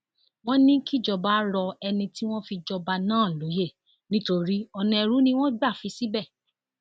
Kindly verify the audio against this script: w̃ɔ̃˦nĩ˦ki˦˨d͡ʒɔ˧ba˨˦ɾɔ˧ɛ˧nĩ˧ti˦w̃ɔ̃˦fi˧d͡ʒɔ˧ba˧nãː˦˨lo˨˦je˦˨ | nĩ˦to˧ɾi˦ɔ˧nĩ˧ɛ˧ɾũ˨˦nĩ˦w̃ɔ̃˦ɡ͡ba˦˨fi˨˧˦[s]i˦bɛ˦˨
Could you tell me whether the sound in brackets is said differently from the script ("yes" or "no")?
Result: no